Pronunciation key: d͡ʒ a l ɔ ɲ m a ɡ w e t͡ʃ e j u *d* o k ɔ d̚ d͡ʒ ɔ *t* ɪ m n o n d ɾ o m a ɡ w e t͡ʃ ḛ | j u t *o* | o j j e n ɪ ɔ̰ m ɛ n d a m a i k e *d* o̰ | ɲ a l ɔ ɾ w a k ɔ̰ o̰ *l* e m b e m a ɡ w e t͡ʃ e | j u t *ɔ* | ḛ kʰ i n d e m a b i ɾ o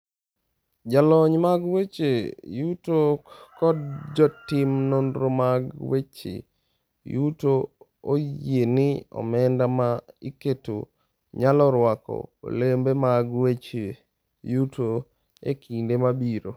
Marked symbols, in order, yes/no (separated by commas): no, yes, yes, no, yes, no